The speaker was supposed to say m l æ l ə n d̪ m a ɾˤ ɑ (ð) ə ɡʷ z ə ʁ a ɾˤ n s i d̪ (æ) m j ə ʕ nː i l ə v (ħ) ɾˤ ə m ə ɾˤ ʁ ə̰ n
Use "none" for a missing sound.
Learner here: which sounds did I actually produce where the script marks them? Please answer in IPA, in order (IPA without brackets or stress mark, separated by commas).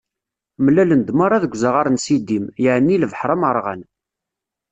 ð, i, ħ